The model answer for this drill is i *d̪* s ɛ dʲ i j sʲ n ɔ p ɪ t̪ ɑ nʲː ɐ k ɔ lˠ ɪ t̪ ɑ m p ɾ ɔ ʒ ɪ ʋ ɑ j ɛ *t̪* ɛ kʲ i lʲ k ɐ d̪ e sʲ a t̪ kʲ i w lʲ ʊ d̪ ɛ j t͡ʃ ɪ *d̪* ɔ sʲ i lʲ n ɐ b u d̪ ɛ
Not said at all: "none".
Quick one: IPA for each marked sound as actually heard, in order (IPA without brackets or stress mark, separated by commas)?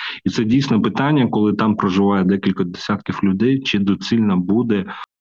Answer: t̪, d̪, d̪